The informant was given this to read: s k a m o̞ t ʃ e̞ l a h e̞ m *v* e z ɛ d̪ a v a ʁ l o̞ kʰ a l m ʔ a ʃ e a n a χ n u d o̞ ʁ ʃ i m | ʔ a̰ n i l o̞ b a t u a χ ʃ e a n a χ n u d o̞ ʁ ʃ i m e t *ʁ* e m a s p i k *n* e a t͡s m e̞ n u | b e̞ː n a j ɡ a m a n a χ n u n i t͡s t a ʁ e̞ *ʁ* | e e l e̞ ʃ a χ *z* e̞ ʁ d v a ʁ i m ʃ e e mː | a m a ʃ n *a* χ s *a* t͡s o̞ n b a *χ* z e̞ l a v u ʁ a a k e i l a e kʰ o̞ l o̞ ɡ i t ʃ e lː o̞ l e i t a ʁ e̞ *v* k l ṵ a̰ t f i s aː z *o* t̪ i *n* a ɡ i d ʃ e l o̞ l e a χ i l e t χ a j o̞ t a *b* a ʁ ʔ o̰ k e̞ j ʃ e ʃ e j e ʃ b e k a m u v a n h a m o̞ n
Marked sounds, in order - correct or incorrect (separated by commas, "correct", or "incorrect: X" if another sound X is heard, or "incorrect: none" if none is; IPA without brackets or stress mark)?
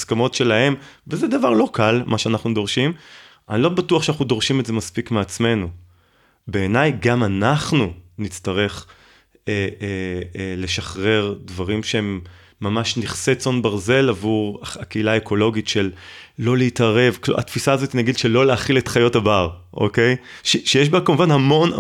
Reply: correct, incorrect: z, incorrect: m, incorrect: χ, incorrect: ʁ, incorrect: i, incorrect: e, incorrect: ʁ, correct, correct, correct, correct